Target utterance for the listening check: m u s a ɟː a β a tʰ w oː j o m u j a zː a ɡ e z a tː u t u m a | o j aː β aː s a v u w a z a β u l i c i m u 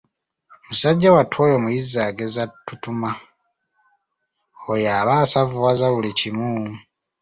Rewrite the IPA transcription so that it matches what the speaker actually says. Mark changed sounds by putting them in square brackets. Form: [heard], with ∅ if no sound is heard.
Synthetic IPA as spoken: m u s a ɟː a [w] a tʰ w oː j o m u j [i] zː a ɡ e z a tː u t u m a | o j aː β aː s a v u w a z a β u l i c i m u

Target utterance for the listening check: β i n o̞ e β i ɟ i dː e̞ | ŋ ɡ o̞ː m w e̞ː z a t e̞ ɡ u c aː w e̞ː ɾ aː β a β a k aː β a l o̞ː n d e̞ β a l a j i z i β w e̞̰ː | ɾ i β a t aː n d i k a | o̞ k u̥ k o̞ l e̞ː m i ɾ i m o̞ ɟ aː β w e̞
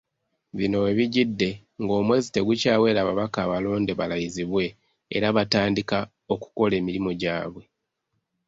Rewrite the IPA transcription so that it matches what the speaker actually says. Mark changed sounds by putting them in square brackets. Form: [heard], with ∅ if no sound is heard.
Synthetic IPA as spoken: β i n o̞ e β i ɟ i dː e̞ | ŋ ɡ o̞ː m w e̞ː z [i] t e̞ ɡ u c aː w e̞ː ɾ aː β a β a k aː β a l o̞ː n d e̞ β a l a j i z i β w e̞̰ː | ɾ [a] β a t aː n d i k a | o̞ k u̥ k o̞ l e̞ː m i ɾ i m o̞ ɟ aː β w e̞

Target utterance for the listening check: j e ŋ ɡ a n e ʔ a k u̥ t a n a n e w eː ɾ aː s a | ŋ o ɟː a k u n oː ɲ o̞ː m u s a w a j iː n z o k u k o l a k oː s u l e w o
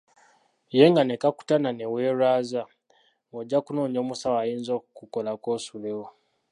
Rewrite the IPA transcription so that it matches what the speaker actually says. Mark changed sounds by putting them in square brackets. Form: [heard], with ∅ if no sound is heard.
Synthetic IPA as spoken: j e ŋ ɡ a n e [k] a k u̥ t a n a n e w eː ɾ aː [z] a | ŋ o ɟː a k u n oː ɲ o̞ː m u s a w a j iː n z o k u k o l a k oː s u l e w o

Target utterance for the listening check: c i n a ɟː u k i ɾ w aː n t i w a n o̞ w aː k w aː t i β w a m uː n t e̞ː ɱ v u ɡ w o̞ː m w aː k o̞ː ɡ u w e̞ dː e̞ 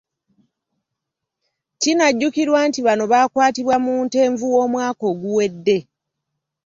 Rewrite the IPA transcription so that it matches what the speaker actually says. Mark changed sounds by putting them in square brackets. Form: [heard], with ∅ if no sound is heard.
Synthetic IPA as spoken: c i n a ɟː u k i ɾ w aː n t i [β] a n o̞ [β] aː k w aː t i β w a m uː n t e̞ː ɱ v u [∅] w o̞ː m w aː k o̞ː ɡ u w e̞ dː e̞

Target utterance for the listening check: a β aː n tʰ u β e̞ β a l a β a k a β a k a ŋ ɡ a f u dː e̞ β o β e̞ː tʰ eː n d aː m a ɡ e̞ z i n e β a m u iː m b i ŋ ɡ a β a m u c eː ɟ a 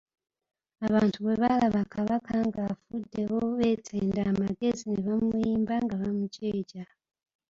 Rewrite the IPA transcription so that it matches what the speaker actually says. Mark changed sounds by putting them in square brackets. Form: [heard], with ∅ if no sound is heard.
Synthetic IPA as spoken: a β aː n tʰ u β e̞ β a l a β a k a β a k a ŋ ɡ a f u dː e̞ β o β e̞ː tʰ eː n d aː m a ɡ e̞ z i n e β a m u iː m b [a] ŋ ɡ a β a m u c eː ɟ a

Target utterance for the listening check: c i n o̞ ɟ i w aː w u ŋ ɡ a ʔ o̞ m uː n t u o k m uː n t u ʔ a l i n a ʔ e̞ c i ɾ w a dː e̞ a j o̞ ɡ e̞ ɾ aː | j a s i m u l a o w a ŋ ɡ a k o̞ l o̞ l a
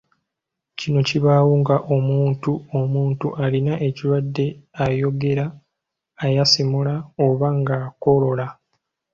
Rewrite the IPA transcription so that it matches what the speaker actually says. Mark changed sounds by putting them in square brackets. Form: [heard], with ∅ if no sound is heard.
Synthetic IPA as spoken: c i n o̞ [c] i [β] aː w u ŋ ɡ a ʔ o̞ m uː n t u o [∅] m uː n t u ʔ a l i n a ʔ e̞ c i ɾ w a dː e̞ a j o̞ ɡ e̞ ɾ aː | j a s i m u l a o [β] a ŋ ɡ a k o̞ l o̞ l a

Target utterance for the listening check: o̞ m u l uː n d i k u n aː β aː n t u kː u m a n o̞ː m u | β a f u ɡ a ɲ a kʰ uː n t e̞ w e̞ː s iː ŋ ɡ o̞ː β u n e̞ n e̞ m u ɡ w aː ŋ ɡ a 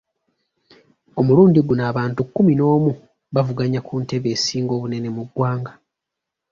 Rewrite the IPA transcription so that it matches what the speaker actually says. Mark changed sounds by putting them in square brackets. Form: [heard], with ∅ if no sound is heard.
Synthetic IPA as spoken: o̞ m u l uː n d i [ɡ] u n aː β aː n t u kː u m [i] n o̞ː m u | β a [v] u ɡ a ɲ a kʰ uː n t e̞ [β] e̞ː s iː ŋ ɡ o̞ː β u n e̞ n e̞ m u ɡ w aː ŋ ɡ a

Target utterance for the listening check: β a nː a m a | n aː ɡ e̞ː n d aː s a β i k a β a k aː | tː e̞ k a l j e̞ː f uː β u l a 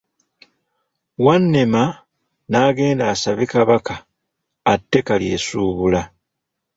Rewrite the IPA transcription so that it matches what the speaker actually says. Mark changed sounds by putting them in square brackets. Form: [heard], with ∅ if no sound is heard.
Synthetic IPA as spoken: [w] a nː [e] m a | n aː ɡ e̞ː n d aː s a β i k a β a k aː | tː e̞ k a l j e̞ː [s] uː β u l a

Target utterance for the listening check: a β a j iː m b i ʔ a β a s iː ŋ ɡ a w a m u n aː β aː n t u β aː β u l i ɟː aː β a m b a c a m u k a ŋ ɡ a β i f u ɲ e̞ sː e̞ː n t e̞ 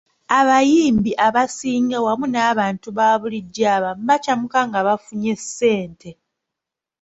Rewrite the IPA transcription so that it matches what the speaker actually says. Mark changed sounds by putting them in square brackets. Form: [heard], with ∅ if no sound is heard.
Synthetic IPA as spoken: a β a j iː m b i ʔ a β a s iː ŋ ɡ a w a m u n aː β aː n t u β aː β u l i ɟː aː β a m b a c a m u k a ŋ ɡ a β [a] f u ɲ e̞ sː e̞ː n t e̞

